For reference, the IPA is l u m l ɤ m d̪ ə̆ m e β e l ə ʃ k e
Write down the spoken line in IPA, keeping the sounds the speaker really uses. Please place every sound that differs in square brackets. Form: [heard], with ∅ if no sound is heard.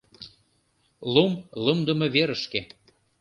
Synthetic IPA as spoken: l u m l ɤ m d̪ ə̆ m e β e [ɾ] ə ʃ k e